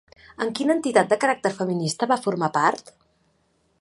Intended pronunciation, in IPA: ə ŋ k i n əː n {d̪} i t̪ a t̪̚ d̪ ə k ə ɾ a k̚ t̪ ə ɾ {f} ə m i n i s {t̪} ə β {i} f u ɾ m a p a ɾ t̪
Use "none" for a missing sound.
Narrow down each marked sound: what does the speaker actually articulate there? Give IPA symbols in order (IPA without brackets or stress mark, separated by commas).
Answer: t̪, f, t̪, a